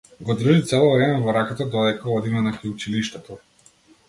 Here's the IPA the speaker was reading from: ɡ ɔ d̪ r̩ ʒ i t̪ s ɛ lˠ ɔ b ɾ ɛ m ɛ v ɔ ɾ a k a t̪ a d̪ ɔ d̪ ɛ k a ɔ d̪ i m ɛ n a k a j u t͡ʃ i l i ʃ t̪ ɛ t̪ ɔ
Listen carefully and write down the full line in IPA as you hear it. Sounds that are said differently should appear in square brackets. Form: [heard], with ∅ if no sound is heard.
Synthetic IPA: ɡ ɔ d̪ r̩ ʒ i t̪ s ɛ lˠ ɔ [v] ɾ ɛ m ɛ v ɔ ɾ a k a t̪ a d̪ ɔ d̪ ɛ k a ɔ d̪ i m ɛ n a k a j u t͡ʃ i l i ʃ t̪ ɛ t̪ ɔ